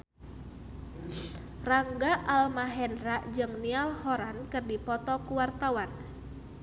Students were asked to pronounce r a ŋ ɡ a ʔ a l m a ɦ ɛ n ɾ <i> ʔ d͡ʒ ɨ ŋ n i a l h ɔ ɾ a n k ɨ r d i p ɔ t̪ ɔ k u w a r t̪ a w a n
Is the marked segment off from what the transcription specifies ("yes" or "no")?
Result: yes